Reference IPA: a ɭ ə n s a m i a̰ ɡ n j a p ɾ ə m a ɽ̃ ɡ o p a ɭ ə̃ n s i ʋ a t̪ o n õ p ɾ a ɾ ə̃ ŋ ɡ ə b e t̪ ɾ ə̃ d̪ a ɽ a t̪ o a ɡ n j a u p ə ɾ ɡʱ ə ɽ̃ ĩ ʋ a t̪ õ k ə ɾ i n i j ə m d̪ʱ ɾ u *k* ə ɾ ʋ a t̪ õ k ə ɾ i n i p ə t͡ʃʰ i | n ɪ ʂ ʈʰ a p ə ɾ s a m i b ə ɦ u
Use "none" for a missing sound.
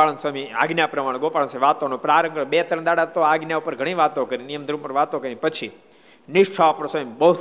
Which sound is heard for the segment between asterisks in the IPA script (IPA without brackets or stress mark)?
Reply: p